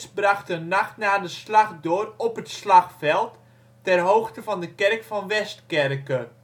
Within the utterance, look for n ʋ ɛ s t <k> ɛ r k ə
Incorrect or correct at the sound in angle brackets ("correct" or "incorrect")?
correct